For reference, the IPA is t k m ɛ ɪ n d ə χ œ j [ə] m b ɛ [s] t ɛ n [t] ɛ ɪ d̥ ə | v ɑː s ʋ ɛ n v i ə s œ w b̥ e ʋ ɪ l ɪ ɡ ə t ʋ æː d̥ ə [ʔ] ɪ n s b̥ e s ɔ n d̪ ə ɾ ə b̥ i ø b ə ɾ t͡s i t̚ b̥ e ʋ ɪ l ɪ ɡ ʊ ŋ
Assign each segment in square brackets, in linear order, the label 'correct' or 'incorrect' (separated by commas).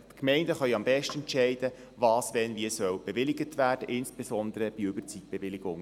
incorrect, incorrect, incorrect, correct